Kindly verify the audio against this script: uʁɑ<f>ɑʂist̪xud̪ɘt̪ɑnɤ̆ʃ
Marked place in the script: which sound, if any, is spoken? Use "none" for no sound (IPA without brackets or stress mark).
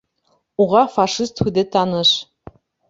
f